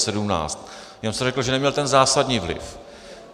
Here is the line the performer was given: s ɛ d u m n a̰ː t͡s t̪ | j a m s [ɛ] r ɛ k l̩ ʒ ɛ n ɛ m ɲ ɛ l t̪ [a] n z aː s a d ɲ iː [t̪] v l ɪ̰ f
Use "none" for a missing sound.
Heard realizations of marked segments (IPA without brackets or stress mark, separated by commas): ɛ, ɛ, none